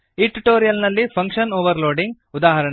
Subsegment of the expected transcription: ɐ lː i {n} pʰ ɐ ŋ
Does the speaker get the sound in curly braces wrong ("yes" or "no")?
yes